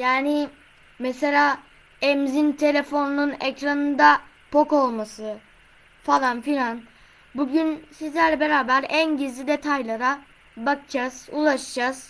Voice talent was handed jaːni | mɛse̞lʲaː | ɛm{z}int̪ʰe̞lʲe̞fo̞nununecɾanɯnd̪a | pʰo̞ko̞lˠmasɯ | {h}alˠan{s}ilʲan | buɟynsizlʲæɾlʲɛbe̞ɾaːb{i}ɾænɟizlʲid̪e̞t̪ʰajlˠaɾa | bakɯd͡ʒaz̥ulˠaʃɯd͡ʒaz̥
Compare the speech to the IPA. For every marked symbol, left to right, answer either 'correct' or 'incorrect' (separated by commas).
correct, incorrect, incorrect, incorrect